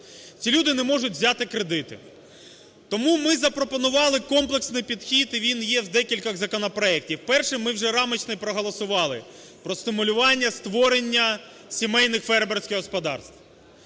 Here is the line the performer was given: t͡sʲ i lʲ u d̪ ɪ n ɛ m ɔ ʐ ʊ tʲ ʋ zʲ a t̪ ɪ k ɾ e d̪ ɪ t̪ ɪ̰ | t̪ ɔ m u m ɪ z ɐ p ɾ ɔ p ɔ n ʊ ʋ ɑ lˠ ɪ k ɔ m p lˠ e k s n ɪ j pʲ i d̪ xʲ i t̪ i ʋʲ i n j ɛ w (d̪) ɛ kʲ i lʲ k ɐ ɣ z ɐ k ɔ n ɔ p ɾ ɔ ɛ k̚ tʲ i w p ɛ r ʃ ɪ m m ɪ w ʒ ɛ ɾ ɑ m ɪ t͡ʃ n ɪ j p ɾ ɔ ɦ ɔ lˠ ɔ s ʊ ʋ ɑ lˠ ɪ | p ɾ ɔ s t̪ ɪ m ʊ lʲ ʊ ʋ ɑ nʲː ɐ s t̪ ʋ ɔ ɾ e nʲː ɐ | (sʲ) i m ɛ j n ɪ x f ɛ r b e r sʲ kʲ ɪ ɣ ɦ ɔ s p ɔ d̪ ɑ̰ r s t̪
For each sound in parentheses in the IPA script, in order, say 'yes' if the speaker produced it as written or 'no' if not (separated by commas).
yes, yes